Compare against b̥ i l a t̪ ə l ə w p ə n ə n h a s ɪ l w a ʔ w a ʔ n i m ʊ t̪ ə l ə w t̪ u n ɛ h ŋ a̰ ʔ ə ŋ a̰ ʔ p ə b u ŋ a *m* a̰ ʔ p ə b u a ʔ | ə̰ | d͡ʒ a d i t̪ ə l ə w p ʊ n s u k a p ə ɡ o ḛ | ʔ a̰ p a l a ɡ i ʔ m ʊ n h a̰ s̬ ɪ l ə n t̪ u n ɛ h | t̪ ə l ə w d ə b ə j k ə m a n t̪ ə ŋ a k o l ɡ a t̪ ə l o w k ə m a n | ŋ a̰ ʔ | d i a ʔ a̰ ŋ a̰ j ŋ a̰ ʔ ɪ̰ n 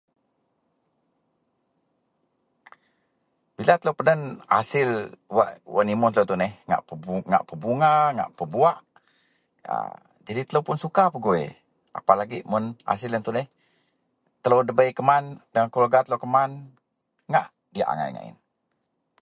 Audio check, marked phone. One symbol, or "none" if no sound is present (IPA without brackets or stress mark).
ŋ